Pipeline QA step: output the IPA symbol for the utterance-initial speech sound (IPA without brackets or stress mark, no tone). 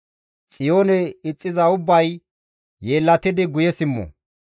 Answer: t͡sʼ